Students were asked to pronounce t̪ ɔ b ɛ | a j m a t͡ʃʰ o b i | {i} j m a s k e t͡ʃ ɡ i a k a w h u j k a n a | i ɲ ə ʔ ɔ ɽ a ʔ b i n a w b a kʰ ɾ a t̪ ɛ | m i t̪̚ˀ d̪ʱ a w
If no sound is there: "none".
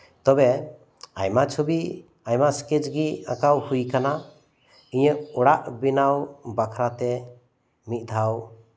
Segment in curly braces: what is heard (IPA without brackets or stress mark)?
a